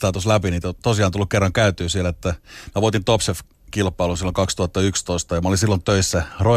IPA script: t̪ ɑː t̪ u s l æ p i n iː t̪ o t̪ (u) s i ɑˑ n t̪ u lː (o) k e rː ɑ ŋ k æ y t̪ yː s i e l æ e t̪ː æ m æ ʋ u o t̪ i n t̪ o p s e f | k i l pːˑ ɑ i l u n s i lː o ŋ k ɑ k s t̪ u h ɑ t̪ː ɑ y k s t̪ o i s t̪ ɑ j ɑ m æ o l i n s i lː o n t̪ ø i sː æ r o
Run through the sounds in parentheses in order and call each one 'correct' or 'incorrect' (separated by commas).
incorrect, incorrect